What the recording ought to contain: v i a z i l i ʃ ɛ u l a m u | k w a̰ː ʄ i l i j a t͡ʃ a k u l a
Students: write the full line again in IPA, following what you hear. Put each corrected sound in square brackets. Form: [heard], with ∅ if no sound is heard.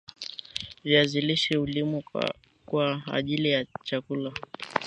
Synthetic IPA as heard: v i a z i l i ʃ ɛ u l [i] m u | k w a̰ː ʄ i l i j a t͡ʃ a k u l a